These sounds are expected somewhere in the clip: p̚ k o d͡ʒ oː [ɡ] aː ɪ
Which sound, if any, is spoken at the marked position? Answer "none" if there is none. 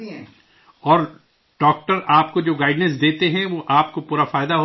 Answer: ɡ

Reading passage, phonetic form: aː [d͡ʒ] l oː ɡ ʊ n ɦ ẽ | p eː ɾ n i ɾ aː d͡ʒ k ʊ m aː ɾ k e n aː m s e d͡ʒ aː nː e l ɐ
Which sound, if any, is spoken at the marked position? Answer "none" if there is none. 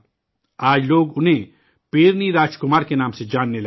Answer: d͡ʒ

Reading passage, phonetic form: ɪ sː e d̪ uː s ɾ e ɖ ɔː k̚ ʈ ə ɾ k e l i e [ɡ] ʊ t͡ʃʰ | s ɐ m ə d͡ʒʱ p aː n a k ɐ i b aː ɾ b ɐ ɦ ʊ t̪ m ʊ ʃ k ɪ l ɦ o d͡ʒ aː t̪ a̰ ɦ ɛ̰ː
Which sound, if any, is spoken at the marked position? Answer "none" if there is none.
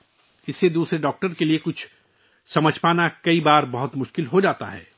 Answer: k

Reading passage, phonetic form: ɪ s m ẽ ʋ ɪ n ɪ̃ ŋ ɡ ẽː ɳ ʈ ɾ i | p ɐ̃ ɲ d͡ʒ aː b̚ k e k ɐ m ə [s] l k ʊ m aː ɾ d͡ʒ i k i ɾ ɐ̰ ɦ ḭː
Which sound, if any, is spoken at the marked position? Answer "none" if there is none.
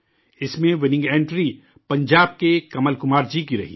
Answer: none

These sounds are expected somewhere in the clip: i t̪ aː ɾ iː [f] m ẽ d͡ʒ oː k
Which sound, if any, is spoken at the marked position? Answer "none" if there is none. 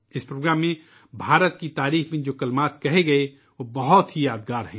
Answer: x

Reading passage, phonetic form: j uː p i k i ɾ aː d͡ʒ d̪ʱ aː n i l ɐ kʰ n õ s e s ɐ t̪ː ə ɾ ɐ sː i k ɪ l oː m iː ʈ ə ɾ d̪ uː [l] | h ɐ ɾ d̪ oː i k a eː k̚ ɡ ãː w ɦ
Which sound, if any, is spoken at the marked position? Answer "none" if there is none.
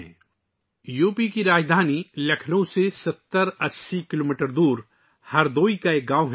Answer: ɾ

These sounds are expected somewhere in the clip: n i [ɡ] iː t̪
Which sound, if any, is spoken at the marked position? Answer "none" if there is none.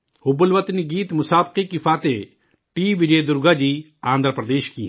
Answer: ɡ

